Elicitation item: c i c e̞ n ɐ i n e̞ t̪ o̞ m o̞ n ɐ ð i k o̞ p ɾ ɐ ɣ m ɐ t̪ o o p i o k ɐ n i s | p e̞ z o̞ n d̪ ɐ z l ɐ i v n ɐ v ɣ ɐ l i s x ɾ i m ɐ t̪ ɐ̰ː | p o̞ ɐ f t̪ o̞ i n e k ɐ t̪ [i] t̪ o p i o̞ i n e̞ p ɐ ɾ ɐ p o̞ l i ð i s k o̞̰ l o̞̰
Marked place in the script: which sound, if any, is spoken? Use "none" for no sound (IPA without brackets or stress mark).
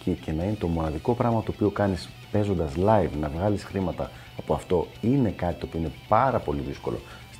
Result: i